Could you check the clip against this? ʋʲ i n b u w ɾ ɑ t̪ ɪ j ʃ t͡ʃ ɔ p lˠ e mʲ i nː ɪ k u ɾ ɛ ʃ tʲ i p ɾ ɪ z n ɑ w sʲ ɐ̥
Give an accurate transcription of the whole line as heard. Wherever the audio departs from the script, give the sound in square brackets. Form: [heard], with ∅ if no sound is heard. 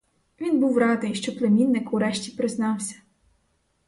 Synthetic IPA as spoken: ʋʲ i n b u w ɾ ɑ [d̪] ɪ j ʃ t͡ʃ ɔ p lˠ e mʲ i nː ɪ k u ɾ ɛ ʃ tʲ i p ɾ ɪ z n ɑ w sʲ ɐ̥